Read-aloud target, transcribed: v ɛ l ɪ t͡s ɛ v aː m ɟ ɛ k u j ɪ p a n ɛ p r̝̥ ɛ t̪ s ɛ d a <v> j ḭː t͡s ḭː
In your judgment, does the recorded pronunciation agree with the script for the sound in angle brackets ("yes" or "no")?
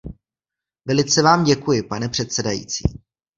no